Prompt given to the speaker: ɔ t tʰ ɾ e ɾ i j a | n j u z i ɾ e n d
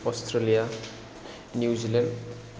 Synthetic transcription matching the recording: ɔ s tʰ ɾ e l i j a | n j u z i l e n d